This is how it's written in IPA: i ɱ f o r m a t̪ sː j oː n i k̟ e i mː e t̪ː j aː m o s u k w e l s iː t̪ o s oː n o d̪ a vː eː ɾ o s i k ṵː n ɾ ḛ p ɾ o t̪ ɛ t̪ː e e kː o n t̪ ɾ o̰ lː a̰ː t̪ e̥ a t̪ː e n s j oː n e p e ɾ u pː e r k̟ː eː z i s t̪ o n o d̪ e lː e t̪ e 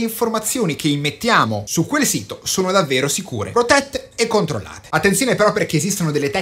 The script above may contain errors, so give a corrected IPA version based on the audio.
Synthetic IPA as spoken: i ɱ f o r m a t̪ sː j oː n i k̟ e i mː e t̪ː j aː m o s u k w e l s iː t̪ o s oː n o d̪ a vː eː ɾ o s i k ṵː ɾ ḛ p ɾ o t̪ ɛ t̪ː e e kː o n t̪ ɾ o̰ lː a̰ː t̪ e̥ a t̪ː e n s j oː n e p e ɾ ɔ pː e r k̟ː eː z i s t̪ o n o d̪ e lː e t̪ ɛ